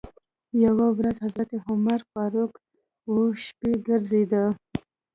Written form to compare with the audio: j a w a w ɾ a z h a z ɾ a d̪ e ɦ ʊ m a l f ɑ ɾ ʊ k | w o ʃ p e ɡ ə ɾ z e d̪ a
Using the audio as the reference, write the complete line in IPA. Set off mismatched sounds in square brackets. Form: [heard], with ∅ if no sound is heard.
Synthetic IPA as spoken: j a w a w ɾ a z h a z ɾ a [t̪] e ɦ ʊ m a [ɾ] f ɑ ɾ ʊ k | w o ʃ p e ɡ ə ɾ z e d̪ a